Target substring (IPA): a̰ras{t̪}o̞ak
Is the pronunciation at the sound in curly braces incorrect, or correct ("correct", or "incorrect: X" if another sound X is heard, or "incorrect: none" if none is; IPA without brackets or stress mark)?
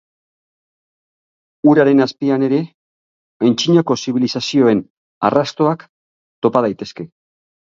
correct